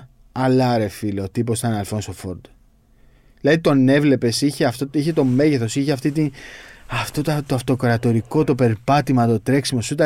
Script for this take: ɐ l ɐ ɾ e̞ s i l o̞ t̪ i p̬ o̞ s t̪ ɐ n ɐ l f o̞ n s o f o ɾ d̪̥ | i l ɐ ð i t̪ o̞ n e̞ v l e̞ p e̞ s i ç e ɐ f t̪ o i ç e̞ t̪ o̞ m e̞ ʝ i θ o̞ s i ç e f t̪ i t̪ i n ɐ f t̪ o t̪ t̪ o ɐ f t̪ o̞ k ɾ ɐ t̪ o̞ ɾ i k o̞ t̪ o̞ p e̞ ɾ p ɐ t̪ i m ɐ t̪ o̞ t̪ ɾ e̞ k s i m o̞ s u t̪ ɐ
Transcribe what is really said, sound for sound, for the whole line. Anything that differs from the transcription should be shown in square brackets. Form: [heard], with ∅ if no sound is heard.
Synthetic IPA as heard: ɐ l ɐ ɾ e̞ [f] i l o̞ t̪ i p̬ o̞ s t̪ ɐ n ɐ l f o̞ n s o f o ɾ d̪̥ | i l ɐ ð i t̪ o̞ n e̞ v l e̞ p e̞ s i ç e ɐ f t̪ o i ç e̞ t̪ o̞ m e̞ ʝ [e] θ o̞ s i ç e f t̪ i t̪ i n ɐ f t̪ o t̪ t̪ o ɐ f t̪ o̞ k ɾ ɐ t̪ o̞ ɾ i k o̞ t̪ o̞ p e̞ ɾ p ɐ t̪ i m ɐ t̪ o̞ t̪ ɾ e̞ k s i m o̞ s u t̪ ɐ